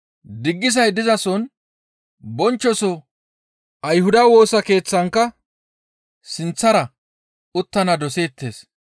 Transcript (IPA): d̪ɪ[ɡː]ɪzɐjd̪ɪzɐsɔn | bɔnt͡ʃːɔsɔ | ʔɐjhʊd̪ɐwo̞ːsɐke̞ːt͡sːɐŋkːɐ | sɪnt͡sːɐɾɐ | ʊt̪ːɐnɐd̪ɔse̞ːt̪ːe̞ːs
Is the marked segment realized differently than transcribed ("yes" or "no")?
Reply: no